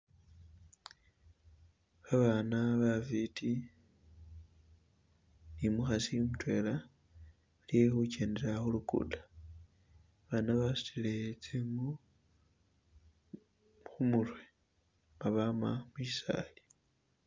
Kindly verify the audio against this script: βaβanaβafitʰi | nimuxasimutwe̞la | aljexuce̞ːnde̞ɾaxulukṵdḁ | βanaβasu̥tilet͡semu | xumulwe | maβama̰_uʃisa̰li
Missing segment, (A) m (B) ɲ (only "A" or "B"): A